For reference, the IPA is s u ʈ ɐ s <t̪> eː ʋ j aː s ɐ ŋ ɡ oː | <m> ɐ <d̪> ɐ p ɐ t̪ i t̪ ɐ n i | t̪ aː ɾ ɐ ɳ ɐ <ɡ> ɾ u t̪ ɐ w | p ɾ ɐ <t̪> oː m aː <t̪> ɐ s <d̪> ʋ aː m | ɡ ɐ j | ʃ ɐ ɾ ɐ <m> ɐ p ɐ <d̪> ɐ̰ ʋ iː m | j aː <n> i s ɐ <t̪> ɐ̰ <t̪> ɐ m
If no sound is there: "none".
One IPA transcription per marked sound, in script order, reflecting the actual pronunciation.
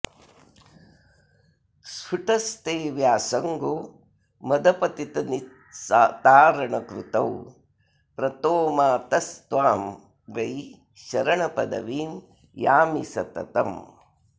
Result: t̪, m, d̪, k, t̪, t̪, t̪, ɳ, d̪, m, t̪, t̪

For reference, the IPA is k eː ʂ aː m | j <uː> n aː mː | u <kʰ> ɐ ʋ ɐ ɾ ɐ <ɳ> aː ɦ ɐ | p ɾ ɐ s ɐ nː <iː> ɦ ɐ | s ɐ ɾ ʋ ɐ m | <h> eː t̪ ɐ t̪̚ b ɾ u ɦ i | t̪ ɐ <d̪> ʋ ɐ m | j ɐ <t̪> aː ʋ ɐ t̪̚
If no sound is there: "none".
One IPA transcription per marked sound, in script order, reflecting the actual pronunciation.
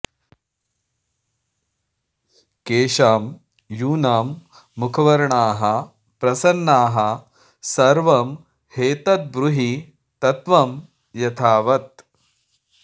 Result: uː, kʰ, ɳ, aː, h, t̪, t̪ʰ

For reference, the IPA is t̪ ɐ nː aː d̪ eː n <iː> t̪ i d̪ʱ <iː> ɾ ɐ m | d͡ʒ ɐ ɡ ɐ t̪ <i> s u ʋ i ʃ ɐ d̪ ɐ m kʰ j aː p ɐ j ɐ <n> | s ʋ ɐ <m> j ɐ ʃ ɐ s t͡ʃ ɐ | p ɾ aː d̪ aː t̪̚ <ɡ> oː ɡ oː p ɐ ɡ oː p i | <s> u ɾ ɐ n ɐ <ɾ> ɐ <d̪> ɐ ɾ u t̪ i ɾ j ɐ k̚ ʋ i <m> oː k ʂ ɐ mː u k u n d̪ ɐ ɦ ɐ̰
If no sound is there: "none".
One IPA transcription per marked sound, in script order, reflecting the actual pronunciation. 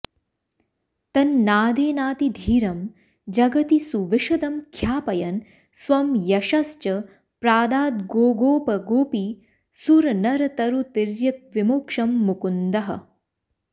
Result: aː, iː, i, n, m, ɡ, s, ɾ, t̪, m

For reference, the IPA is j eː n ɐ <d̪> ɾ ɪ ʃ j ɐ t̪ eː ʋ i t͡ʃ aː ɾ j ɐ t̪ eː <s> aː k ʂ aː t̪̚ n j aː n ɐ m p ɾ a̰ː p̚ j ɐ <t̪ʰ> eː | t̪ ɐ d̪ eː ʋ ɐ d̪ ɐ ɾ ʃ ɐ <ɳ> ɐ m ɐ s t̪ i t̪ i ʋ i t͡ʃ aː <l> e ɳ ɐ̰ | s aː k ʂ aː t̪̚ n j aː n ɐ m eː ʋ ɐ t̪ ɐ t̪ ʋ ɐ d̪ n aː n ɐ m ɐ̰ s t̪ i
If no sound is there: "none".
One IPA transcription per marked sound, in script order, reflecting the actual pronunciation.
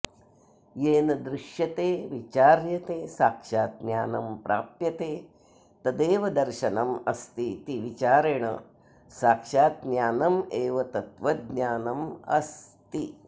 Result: d̪, s, t̪, n, ɾ

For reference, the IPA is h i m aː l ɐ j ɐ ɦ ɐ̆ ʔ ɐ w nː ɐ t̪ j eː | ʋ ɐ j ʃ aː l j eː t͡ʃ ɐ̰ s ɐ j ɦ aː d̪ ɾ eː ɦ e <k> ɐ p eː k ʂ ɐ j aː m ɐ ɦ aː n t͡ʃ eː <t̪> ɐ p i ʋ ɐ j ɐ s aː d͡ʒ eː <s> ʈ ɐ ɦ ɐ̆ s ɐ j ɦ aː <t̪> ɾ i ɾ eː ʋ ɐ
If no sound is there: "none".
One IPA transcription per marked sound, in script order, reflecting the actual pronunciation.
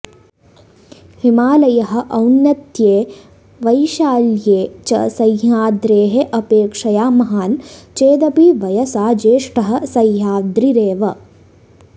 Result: ʔ, d̪, ʂ, d̪

